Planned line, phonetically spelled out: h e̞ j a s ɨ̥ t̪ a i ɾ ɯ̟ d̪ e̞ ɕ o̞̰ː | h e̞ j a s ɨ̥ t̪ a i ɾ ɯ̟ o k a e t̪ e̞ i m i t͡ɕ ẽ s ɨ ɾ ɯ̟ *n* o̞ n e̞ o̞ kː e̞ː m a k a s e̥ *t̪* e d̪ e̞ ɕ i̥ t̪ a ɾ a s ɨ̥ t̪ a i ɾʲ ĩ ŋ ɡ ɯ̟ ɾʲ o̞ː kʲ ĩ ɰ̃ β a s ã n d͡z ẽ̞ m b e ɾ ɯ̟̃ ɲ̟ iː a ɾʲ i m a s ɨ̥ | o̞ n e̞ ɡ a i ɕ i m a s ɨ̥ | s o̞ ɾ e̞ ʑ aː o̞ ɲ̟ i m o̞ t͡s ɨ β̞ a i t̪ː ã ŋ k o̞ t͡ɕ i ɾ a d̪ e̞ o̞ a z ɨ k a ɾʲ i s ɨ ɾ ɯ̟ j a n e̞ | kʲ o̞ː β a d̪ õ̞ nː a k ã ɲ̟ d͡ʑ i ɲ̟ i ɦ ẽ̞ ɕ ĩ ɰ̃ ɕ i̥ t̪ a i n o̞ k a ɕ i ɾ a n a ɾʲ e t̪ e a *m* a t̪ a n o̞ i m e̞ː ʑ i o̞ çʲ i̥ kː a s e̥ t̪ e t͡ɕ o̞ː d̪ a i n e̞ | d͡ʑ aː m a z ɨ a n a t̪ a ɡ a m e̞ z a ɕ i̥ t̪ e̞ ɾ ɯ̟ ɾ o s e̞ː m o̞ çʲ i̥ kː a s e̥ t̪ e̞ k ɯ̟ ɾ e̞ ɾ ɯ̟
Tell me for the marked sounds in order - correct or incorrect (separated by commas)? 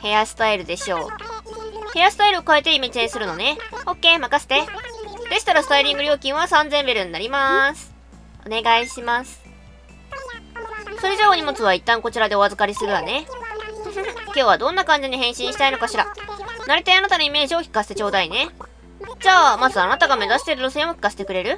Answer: correct, correct, incorrect